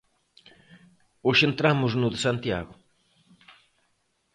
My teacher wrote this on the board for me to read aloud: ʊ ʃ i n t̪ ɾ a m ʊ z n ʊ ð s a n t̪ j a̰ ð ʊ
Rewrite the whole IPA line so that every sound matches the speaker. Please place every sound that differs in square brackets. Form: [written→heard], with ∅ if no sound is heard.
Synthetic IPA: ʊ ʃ [i→e] n t̪ ɾ a m ʊ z n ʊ ð s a n t̪ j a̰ [ð→ɣ] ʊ